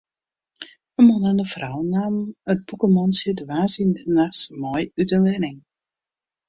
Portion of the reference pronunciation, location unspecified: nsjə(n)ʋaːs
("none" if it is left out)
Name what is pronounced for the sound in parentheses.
d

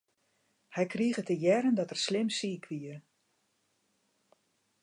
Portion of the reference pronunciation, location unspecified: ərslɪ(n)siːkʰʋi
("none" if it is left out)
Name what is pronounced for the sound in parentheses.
m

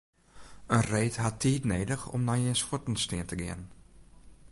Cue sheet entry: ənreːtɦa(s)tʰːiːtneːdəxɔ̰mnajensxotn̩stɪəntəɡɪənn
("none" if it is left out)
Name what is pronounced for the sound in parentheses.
none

